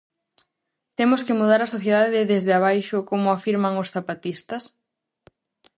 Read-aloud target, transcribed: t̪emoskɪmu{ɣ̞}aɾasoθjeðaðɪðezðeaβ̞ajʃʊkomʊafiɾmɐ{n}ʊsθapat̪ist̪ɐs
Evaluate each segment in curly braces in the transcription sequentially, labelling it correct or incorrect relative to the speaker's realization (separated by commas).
incorrect, incorrect